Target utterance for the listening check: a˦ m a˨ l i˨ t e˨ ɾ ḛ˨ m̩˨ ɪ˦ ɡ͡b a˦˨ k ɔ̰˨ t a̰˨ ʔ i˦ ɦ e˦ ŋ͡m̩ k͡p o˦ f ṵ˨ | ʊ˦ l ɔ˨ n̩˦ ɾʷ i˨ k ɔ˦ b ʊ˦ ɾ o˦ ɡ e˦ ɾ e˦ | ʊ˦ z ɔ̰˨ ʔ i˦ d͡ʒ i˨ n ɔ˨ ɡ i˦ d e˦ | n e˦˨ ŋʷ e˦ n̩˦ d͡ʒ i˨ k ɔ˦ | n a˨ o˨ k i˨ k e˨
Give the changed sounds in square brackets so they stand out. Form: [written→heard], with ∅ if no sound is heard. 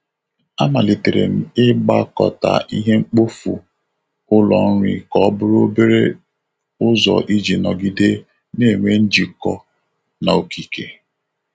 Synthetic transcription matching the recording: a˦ m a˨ l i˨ t e˨ ɾ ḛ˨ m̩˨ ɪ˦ ɡ͡b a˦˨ k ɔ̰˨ t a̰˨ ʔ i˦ ɦ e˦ ŋ͡m̩ k͡p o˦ f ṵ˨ | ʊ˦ l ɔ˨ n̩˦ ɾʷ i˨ k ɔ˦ b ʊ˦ ɾ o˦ [ɡ→b] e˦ ɾ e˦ | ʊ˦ z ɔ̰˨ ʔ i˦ d͡ʒ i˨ n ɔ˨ ɡ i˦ d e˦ | n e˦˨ ŋʷ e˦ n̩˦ d͡ʒ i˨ k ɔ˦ | n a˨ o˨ k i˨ k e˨